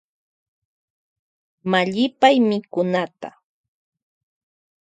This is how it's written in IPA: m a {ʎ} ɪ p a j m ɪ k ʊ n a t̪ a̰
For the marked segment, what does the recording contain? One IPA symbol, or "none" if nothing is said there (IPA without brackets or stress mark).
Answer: ʎ